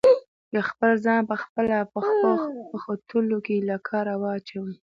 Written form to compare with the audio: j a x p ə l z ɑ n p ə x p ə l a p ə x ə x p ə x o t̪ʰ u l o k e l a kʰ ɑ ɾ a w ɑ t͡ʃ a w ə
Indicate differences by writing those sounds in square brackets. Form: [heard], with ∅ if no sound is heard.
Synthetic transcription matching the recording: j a x p ə l z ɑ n p ə x p ə l a p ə x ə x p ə x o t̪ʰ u l o k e l a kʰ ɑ ɾ a w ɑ t͡ʃ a w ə